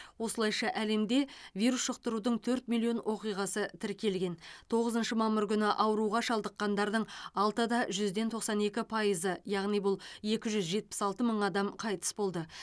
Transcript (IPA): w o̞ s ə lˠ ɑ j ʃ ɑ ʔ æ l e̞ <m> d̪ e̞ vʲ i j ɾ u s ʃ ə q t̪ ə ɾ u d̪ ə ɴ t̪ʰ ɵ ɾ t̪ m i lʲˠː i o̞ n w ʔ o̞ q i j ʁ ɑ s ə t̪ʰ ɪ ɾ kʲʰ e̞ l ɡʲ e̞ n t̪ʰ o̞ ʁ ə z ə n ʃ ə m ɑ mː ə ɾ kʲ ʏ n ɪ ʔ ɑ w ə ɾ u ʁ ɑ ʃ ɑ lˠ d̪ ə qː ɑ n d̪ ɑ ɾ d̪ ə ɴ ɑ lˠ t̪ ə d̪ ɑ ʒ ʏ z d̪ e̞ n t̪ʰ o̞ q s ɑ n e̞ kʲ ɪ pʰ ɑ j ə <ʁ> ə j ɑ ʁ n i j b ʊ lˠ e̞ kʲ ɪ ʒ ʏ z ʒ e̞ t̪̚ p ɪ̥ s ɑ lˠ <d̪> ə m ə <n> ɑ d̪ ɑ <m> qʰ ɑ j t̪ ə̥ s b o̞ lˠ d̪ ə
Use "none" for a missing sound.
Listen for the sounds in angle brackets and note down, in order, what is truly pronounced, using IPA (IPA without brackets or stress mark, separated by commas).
m, z, t̪, ɴ, m